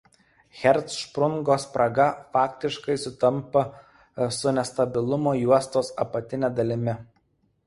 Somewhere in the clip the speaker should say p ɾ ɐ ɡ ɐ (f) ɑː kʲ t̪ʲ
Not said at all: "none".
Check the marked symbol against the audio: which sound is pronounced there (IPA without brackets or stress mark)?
f